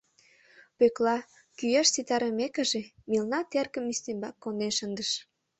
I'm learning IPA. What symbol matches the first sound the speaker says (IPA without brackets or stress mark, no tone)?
p